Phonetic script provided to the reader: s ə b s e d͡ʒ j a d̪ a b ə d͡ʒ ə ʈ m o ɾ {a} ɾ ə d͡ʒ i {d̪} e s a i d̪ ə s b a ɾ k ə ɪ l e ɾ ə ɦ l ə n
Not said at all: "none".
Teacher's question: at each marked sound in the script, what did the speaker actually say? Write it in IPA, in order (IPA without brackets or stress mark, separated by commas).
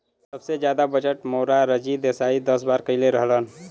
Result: a, d̪